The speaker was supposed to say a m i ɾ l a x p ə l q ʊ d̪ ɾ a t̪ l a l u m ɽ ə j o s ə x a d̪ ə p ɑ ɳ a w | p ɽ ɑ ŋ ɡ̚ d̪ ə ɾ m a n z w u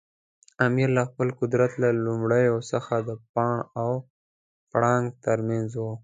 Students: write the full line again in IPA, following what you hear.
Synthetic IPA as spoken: a m i ɾ l a x p ə l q ʊ d̪ ɾ a t̪ l a l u m ɽ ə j o s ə x a d̪ ə p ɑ ɳ a w | p ɽ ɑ ŋ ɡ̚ t̪ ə ɾ m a n z w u